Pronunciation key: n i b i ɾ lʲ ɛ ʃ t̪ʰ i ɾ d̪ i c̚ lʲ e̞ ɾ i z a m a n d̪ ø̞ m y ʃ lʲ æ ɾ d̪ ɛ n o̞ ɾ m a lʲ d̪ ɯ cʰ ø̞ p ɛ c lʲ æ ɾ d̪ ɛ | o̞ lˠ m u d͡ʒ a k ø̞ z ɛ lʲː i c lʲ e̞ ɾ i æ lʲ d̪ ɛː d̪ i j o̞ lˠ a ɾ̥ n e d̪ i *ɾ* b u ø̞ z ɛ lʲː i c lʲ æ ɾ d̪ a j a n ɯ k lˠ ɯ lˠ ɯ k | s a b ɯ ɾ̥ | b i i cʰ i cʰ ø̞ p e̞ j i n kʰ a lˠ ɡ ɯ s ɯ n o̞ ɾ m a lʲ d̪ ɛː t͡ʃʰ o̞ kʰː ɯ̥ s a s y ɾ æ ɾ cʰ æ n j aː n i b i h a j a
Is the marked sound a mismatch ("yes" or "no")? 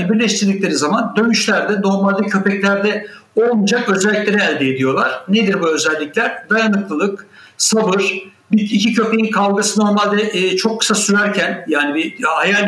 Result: no